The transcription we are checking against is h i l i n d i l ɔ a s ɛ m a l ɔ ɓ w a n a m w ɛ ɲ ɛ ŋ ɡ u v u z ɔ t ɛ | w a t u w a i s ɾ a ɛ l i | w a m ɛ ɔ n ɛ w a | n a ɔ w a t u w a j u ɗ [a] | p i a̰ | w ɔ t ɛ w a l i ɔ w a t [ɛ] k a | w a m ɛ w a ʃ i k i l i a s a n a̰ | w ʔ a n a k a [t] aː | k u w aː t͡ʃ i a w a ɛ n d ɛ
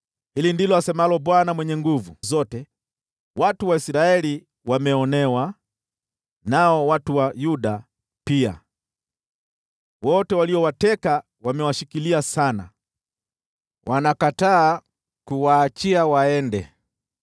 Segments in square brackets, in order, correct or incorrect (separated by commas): correct, correct, correct